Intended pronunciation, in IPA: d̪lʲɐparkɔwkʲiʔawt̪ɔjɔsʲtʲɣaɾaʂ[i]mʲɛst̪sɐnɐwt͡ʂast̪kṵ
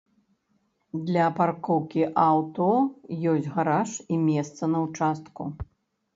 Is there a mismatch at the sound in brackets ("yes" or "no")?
no